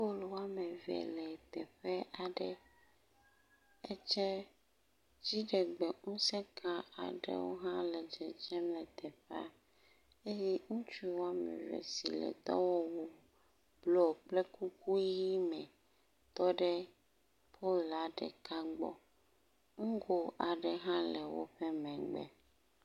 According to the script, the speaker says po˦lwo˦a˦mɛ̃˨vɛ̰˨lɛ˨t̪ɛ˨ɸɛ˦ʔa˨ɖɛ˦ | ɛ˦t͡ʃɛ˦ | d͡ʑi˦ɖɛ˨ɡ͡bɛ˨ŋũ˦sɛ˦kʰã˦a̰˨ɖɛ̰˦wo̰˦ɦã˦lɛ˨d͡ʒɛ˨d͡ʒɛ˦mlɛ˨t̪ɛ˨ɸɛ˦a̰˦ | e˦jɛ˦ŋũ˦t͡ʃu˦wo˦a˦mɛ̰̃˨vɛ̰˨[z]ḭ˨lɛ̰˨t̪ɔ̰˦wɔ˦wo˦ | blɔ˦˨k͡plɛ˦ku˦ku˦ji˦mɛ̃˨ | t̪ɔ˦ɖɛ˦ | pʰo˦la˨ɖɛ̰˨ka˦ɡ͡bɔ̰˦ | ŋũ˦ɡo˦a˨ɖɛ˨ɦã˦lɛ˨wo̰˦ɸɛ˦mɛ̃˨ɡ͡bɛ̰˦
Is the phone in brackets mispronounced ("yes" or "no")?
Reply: yes